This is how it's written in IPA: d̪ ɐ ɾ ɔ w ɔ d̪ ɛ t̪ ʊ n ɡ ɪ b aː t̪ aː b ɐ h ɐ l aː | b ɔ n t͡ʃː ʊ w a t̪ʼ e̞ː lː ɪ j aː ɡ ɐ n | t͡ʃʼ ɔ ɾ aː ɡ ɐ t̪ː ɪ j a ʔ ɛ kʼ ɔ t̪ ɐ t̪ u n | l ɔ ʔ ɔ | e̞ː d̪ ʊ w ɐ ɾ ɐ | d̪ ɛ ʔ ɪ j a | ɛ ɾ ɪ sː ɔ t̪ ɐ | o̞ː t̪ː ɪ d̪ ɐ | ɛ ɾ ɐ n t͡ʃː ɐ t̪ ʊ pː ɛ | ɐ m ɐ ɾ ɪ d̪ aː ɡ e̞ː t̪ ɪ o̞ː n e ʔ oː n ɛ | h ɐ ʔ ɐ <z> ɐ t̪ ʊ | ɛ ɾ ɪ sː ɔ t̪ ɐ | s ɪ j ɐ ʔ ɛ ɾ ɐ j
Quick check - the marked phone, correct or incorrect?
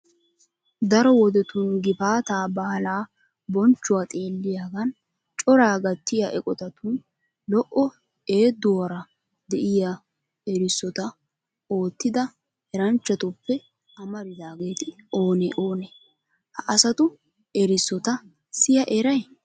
incorrect